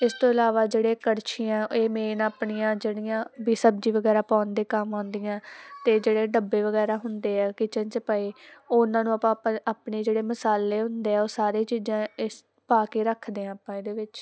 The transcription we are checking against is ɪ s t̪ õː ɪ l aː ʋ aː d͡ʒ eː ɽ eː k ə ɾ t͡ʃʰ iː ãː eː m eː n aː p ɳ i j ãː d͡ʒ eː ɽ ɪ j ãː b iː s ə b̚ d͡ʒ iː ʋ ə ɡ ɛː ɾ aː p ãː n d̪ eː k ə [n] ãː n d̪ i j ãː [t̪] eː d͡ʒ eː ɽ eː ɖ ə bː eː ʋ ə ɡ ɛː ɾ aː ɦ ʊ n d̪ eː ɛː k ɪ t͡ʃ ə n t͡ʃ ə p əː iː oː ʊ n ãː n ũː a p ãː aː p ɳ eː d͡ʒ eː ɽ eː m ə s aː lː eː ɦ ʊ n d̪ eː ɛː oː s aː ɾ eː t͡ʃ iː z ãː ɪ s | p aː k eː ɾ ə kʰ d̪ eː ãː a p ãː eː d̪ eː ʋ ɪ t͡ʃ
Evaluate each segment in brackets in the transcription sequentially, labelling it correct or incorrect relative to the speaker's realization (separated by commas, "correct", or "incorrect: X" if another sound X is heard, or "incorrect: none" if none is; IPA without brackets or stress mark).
incorrect: m, correct